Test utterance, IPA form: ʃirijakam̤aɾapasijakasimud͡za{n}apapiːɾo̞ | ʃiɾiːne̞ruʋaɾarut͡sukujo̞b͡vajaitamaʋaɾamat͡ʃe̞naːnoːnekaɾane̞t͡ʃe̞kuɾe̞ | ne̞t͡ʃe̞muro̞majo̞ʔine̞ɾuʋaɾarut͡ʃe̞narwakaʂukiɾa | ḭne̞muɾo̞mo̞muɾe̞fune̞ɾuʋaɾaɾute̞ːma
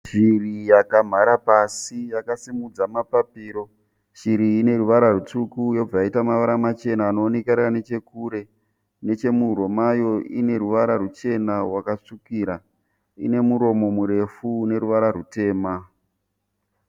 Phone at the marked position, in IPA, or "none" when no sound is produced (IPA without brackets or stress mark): m